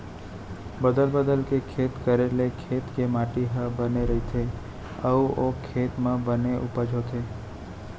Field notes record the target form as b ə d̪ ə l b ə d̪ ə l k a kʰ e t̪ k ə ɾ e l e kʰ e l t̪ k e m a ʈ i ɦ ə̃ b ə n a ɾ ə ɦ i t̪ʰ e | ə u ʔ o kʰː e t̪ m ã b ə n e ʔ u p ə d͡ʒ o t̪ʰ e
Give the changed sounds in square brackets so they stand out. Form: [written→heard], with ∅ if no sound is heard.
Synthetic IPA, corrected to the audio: b ə d̪ ə l b ə d̪ ə l k [a→e] kʰ e t̪ k ə ɾ e l e kʰ e [l→∅] t̪ k e m a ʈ i ɦ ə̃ b ə n [a→e] ɾ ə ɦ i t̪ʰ e | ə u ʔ o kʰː e t̪ m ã b ə n e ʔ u p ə d͡ʒ o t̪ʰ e